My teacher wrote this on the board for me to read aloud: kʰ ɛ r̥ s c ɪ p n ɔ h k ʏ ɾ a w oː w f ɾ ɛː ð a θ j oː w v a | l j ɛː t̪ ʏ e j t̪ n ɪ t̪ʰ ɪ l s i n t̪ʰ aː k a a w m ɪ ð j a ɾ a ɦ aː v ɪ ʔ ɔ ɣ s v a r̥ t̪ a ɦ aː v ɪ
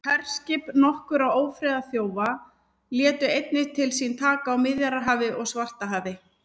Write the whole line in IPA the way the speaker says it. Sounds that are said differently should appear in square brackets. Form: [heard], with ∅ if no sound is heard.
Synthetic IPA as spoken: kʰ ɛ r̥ s c ɪ p n ɔ h k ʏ ɾ a w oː w f ɾ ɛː ð a θ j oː w v a | l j ɛː t̪ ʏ e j t̪ n ɪ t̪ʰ ɪ l s i n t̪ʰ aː k a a w m ɪ ð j a ɾ a ɦ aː v ɪ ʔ ɔ ɣ s v a r̥ t̪ a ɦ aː v ɪ